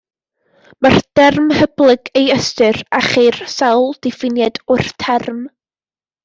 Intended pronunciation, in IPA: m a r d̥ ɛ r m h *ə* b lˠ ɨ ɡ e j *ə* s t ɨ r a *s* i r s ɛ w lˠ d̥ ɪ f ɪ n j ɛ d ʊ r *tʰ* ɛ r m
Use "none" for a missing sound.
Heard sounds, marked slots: ə, ə, χ, tʰ

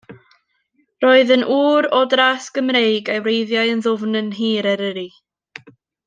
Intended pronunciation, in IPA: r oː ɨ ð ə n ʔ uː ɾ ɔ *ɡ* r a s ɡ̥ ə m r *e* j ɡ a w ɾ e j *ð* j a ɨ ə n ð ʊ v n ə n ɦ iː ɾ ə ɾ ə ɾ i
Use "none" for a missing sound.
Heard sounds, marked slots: d, e, ð

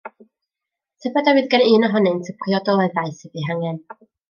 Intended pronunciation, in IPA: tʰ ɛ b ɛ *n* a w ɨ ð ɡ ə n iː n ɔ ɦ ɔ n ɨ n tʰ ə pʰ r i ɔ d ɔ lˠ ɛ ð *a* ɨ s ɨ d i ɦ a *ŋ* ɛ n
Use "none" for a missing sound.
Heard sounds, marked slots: d, a, ŋ

